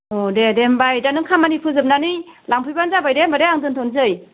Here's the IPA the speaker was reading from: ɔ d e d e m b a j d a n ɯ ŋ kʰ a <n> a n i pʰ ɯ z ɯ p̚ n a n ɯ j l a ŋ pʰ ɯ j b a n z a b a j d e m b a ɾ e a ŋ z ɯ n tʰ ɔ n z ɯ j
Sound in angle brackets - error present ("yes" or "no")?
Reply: yes